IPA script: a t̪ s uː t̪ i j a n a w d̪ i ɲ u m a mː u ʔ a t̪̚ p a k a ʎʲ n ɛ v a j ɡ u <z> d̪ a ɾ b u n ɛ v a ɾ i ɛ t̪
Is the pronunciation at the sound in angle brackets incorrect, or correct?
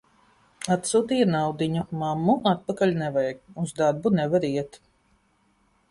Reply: correct